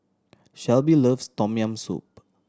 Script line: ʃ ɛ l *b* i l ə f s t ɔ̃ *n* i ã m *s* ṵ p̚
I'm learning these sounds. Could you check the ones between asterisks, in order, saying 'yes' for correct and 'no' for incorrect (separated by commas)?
yes, no, yes